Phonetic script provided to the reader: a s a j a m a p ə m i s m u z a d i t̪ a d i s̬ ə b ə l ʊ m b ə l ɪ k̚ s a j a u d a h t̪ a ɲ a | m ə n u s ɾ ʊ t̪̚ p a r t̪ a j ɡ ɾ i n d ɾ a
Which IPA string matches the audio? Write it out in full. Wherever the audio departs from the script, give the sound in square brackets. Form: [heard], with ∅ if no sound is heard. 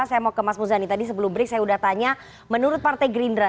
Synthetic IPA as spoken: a s a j a m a [k] ə m [a] s m u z a [n] i t̪ a d i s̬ ə b ə l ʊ m b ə [ɾ] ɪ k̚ s a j a u d a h t̪ a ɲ a | m ə n u [∅] ɾ ʊ t̪̚ p a r t̪ a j ɡ ɾ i n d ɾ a

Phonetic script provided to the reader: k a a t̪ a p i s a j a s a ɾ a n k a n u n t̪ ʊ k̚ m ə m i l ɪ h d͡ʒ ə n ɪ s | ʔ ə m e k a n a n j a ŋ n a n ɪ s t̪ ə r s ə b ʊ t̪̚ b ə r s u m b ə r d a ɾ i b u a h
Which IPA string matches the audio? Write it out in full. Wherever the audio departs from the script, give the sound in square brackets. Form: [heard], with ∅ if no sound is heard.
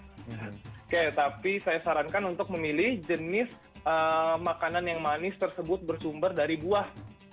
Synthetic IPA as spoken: k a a t̪ a p i s a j a s a ɾ a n k a n u n t̪ ʊ k̚ m ə m i l ɪ h d͡ʒ ə n ɪ s | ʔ ə m [a] k a n a n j a ŋ [m] a n ɪ s t̪ ə r s ə b ʊ t̪̚ b ə r s u m b ə r d a ɾ i b u a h

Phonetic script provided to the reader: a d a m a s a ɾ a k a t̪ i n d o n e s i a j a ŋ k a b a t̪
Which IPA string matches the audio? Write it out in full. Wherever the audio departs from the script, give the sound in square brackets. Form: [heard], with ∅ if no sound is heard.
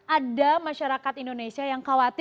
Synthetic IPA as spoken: a d a m a [ʃ] a ɾ a k a t̪ i n d o n e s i a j a ŋ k a [w] a t̪

